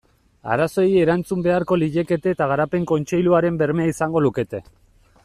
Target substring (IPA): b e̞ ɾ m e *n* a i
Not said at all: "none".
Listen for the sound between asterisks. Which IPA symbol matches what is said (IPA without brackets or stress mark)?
none